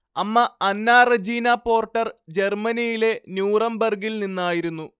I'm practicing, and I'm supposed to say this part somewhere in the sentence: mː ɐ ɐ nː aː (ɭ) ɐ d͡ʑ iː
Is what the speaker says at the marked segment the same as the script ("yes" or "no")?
no